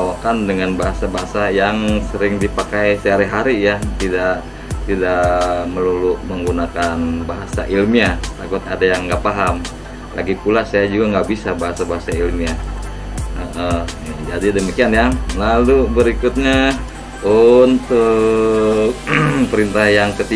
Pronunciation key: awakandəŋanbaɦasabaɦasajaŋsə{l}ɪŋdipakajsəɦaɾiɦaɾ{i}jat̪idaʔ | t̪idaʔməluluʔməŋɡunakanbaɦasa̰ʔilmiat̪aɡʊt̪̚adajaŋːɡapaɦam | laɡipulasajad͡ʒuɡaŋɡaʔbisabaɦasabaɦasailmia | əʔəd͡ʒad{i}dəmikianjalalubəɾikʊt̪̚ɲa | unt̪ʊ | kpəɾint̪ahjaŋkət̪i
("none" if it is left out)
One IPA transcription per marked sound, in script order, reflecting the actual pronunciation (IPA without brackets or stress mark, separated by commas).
ɾ, i, i